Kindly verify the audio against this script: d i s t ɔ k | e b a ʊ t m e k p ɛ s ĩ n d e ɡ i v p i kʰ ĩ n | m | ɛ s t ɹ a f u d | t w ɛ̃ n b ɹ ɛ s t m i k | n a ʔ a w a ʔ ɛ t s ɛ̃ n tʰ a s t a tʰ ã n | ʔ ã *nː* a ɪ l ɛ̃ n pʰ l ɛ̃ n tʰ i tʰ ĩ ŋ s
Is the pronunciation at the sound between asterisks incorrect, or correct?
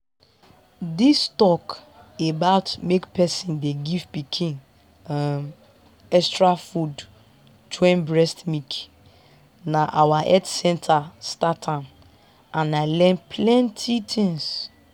incorrect